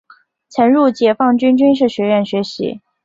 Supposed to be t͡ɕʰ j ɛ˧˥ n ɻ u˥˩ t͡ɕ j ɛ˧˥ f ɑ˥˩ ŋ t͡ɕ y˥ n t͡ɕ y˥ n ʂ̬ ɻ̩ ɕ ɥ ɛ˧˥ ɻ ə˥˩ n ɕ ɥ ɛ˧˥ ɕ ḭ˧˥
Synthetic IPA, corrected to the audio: t͡ɕʰ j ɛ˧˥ n ɻ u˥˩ t͡ɕ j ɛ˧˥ f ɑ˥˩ ŋ t͡ɕ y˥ n t͡ɕ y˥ n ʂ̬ ɻ̩ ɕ ɥ ɛ˧˥ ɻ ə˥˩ n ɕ ɥ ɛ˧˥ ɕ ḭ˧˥